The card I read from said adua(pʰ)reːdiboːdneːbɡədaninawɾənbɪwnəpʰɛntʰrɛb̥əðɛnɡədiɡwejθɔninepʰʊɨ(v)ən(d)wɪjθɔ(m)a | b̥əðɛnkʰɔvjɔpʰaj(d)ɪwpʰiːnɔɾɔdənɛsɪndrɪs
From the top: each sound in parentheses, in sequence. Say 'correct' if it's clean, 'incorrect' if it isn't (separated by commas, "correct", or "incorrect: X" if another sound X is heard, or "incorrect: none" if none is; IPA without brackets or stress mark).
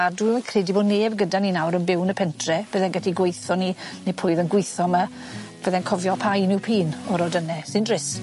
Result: incorrect: kʰ, incorrect: ð, incorrect: ɡ, correct, incorrect: n